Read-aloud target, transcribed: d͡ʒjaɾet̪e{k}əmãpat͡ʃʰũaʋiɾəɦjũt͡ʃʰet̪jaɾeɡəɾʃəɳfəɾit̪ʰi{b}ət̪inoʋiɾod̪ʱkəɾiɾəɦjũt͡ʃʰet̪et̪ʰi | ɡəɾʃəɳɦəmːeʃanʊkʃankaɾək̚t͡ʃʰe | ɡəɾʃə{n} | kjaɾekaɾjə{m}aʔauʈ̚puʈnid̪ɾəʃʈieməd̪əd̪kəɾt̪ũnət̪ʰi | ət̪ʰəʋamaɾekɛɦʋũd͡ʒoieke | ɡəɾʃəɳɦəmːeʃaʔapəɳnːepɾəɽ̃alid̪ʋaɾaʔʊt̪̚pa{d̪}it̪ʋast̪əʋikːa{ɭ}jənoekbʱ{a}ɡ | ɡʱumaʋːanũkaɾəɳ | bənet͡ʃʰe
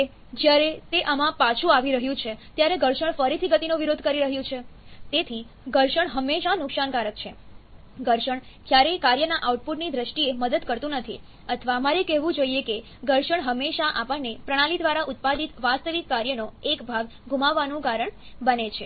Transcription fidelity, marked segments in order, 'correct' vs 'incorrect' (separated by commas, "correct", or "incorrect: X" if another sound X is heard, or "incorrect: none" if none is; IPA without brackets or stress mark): incorrect: ʔ, incorrect: ɡ, incorrect: ɳ, incorrect: n, correct, incorrect: ɾ, correct